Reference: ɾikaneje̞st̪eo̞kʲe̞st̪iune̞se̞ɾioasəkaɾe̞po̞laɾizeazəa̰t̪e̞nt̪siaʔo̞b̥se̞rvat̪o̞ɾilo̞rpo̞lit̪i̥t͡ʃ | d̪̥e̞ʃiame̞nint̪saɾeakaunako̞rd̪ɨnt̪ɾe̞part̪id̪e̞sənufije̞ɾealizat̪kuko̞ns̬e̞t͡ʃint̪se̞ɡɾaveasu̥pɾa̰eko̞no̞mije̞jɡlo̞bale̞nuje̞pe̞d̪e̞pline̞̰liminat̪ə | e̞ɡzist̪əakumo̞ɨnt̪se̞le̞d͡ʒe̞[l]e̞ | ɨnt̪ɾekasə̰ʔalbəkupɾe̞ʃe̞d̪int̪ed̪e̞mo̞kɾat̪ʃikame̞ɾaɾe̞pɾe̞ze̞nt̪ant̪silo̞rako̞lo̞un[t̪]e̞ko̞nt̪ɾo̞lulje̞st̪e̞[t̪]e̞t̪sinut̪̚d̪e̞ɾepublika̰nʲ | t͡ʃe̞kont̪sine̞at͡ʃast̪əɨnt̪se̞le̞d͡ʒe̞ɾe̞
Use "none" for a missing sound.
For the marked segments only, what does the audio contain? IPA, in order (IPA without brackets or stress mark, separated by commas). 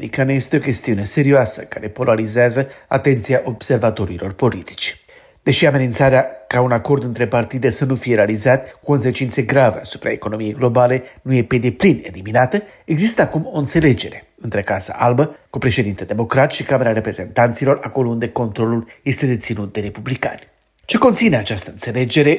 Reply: ɾ, d̪, d̪